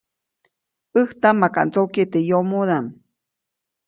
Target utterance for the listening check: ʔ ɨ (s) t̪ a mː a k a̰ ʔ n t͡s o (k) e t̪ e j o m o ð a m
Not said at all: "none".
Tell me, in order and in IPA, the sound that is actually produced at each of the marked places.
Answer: h, k

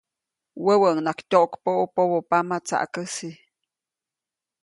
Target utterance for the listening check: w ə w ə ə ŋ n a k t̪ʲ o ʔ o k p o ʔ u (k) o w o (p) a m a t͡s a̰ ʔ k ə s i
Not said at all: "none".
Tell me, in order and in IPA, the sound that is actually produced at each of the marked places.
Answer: p, p

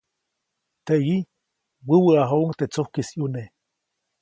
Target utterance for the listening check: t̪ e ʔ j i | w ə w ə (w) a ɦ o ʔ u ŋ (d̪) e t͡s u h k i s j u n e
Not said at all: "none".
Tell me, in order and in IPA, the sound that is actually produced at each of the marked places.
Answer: none, t̪

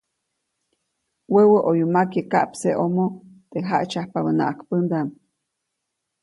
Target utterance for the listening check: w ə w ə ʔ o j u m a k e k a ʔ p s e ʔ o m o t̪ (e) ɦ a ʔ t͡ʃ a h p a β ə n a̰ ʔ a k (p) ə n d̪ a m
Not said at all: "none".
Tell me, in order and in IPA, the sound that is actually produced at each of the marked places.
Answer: e, p

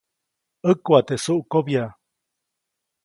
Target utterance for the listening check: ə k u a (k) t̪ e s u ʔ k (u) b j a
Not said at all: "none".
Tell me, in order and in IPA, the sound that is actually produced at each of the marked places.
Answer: none, o

